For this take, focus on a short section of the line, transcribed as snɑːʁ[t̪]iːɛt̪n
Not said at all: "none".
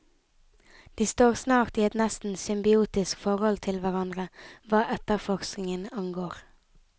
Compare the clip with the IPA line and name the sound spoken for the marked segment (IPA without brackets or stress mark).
t̪